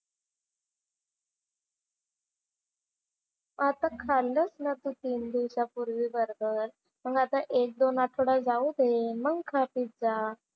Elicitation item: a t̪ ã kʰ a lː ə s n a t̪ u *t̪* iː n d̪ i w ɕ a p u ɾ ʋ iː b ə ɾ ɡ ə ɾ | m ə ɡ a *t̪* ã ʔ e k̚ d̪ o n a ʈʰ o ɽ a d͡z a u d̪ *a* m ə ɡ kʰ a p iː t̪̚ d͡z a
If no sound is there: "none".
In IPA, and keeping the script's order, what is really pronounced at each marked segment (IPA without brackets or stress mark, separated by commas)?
t̪, t̪, e